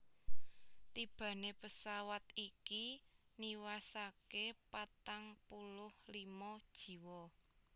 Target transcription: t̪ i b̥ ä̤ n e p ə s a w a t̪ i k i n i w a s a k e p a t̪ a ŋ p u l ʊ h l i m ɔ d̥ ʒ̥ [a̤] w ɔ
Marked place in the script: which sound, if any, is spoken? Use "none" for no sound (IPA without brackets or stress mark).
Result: i̤